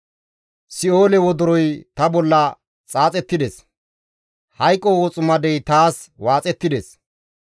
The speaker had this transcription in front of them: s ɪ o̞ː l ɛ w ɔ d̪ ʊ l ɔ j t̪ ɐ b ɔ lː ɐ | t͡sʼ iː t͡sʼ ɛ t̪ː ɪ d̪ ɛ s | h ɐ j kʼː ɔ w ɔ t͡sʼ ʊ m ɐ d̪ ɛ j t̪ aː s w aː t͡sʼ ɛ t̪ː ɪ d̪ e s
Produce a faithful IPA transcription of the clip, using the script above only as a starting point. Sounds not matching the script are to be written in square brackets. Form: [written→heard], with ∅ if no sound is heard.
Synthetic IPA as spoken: s ɪ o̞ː l ɛ w ɔ d̪ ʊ [l→ɾ] ɔ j t̪ ɐ b ɔ lː ɐ | t͡sʼ [iː→aː] t͡sʼ ɛ t̪ː ɪ d̪ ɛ s | h ɐ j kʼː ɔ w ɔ t͡sʼ ʊ m ɐ d̪ ɛ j t̪ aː s w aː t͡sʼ ɛ t̪ː ɪ d̪ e s